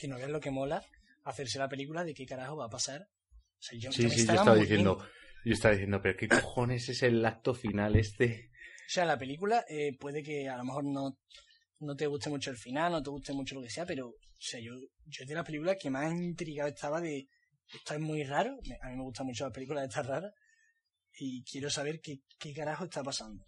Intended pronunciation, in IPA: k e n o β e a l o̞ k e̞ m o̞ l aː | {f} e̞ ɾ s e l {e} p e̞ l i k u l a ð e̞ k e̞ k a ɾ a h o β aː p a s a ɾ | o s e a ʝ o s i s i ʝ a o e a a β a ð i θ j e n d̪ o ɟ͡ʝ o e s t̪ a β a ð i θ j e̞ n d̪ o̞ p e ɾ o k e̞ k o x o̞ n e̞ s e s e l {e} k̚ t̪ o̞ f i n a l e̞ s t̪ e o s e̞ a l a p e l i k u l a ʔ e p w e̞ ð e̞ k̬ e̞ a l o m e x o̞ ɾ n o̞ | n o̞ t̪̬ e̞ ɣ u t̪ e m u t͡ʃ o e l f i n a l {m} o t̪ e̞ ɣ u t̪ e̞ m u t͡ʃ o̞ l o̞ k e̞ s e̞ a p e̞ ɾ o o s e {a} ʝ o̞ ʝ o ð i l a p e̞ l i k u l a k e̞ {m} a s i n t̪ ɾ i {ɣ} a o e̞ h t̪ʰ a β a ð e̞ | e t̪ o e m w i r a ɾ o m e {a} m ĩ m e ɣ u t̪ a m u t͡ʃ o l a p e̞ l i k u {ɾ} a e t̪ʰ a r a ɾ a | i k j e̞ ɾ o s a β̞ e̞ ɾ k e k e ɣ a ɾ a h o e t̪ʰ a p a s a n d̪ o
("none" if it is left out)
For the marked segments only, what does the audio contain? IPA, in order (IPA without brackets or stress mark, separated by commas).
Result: θ, a, a, n, a, m, ɣ, a, l